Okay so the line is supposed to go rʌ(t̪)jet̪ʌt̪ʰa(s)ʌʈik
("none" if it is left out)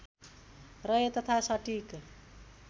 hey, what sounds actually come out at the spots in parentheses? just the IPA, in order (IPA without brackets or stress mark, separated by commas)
none, s